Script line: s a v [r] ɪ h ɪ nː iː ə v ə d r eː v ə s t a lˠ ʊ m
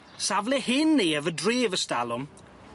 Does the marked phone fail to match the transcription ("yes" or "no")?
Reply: yes